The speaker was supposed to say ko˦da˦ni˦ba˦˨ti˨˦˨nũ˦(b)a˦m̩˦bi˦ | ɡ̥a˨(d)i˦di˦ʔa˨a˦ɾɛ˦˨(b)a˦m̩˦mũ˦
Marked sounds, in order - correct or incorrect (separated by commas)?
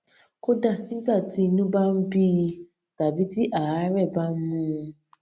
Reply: correct, incorrect, correct